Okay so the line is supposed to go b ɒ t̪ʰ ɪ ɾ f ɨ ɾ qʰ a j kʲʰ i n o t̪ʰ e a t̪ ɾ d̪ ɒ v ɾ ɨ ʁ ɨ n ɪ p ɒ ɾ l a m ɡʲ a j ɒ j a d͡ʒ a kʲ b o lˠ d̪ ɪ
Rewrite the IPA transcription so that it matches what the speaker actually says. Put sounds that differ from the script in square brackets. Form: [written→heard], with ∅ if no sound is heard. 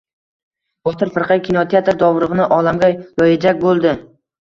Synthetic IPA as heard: b ɒ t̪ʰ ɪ ɾ f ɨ ɾ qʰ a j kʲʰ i n o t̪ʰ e a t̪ ɾ d̪ ɒ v ɾ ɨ ʁ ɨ n ɪ [p→ʔ] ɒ [ɾ→∅] l a m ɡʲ a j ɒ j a d͡ʒ a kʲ b o lˠ d̪ ɪ